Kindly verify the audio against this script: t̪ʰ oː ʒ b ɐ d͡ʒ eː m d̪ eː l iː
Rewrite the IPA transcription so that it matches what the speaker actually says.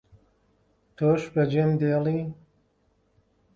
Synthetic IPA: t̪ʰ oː ʃ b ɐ d͡ʒ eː m d̪ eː l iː